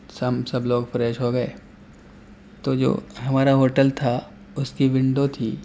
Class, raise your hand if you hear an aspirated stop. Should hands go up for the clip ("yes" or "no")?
yes